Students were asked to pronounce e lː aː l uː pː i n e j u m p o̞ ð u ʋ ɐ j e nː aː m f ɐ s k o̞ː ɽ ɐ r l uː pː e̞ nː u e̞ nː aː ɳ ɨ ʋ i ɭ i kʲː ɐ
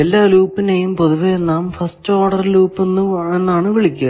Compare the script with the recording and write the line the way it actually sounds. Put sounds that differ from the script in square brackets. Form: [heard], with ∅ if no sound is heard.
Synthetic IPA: e lː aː l uː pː i n e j u m p o̞ ð u ʋ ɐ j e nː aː m f ɐ s [t] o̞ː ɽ ɐ r l uː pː e̞ nː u e̞ nː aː ɳ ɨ ʋ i ɭ i kʲː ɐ